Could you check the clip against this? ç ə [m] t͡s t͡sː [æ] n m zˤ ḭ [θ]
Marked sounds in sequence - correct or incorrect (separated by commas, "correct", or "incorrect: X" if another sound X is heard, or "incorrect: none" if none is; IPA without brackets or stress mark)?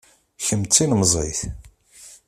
correct, incorrect: i, correct